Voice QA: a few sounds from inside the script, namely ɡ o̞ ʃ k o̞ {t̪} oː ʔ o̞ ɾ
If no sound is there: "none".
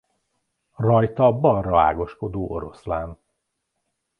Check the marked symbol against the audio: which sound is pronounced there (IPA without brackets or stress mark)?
d̪